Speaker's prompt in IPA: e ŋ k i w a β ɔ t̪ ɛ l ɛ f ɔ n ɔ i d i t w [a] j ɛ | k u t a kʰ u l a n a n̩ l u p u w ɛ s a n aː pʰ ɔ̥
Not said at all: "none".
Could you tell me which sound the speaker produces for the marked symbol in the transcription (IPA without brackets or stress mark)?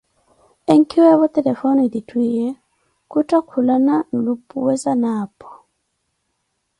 i